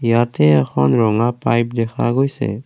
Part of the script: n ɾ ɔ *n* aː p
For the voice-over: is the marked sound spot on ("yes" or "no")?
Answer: no